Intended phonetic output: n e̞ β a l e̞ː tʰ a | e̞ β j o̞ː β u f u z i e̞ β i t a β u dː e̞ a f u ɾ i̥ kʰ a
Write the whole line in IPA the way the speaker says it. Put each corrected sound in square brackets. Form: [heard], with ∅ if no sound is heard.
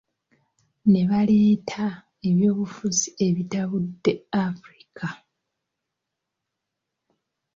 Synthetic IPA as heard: n e̞ β a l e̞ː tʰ a | e̞ β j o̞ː β u f u z i e̞ β i t a β u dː e̞ a f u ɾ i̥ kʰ a